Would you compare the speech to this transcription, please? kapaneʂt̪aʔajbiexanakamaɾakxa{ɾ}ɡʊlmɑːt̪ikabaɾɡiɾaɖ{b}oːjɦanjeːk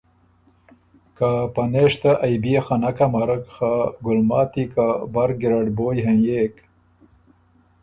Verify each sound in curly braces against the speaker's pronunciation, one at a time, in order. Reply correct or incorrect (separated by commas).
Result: incorrect, correct